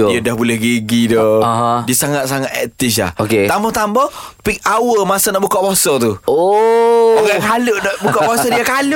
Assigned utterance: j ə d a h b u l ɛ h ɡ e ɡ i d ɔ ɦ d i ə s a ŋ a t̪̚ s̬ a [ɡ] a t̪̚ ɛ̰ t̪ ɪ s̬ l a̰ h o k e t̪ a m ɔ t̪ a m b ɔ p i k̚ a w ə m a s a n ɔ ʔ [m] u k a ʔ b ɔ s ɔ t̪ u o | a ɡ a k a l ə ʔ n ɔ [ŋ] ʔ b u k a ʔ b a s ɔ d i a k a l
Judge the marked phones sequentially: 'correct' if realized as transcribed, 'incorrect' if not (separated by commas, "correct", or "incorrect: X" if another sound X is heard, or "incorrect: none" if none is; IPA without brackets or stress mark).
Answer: incorrect: ŋ, incorrect: b, incorrect: none